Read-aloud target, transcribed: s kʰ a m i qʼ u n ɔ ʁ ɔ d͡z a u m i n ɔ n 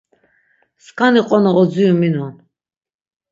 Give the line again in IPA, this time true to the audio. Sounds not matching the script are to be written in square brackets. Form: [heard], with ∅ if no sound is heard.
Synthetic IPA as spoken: s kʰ a [n] i qʼ [ɔ] n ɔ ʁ ɔ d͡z [i] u m i n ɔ n